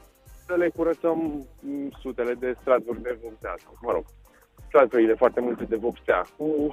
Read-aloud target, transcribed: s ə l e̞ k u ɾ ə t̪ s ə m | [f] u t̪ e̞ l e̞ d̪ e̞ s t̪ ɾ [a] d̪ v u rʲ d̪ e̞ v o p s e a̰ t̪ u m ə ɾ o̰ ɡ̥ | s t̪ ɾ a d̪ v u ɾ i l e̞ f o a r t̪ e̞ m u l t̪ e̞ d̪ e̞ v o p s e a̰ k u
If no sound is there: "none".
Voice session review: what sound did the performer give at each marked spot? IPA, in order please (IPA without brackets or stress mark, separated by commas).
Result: s, a